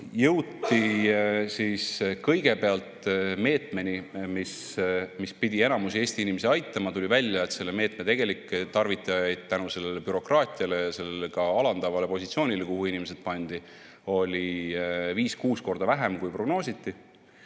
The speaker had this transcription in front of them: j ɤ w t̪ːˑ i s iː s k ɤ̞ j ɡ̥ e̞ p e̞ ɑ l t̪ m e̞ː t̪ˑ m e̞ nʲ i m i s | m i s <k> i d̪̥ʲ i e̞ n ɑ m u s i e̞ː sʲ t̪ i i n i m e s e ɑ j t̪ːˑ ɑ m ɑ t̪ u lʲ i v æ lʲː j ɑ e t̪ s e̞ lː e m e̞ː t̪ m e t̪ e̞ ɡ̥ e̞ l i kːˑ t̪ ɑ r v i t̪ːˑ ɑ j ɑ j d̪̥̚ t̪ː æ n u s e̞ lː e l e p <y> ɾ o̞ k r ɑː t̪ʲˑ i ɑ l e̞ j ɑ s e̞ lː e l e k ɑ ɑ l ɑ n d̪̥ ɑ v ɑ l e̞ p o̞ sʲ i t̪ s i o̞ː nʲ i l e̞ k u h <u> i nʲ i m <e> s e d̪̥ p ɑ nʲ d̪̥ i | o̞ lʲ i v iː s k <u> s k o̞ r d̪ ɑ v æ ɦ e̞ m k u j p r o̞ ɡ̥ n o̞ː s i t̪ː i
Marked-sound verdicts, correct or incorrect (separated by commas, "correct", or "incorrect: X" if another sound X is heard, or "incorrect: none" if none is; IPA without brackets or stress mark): incorrect: p, correct, correct, correct, incorrect: uː